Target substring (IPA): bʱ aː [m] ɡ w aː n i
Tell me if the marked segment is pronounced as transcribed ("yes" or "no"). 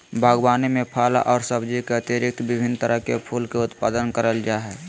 no